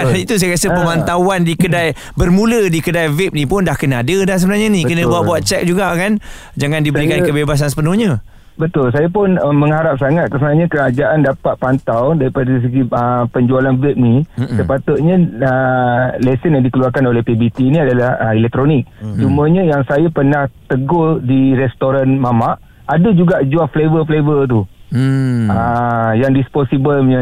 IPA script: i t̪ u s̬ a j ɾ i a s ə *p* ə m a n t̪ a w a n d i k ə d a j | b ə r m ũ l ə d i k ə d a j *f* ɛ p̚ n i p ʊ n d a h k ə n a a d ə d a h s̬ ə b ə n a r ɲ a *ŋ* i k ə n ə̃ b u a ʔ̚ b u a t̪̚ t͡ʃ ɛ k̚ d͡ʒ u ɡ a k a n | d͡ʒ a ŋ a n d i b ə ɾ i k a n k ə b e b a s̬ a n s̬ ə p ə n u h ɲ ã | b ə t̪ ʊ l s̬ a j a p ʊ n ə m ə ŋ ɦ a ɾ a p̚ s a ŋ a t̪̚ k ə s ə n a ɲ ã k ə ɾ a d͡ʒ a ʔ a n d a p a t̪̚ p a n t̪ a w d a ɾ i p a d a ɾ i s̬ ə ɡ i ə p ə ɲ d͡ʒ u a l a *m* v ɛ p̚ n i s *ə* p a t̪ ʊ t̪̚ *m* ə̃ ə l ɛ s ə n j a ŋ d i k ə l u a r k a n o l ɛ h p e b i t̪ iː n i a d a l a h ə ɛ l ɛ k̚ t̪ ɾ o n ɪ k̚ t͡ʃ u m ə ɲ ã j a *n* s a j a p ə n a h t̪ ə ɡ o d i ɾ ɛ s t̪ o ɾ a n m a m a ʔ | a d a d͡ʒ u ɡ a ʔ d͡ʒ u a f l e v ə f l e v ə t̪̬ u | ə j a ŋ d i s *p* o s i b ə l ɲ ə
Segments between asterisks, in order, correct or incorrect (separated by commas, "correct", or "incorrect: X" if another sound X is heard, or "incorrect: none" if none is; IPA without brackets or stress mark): correct, incorrect: v, incorrect: n, incorrect: n, correct, incorrect: ɲ, incorrect: ŋ, correct